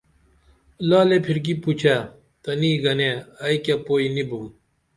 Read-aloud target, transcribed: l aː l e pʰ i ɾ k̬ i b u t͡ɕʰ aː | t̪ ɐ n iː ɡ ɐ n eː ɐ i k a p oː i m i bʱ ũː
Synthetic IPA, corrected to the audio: l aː l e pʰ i ɾ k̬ i p u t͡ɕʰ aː | t̪ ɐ n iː ɡ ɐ n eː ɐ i k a p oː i n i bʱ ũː

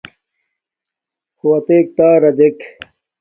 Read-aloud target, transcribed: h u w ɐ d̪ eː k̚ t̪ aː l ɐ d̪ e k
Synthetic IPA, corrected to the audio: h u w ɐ t̪ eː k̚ t̪ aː ɾ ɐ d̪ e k

